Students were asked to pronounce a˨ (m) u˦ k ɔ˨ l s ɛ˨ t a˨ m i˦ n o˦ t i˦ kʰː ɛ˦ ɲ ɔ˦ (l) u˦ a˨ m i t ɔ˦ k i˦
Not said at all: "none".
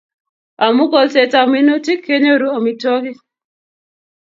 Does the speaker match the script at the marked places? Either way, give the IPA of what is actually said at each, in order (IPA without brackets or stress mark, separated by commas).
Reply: m, ɾ